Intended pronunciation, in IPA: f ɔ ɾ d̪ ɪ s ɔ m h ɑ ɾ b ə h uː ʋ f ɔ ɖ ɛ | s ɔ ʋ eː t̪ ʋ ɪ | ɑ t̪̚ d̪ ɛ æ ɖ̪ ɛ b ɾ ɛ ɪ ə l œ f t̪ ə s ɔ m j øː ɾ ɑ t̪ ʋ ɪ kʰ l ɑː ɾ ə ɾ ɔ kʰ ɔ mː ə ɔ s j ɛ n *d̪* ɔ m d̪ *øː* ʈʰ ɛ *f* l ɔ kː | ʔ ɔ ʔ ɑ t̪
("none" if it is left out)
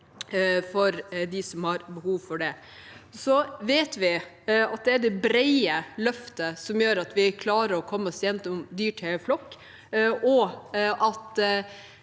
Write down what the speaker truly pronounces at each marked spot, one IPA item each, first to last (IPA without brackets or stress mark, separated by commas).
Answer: t̪, yː, f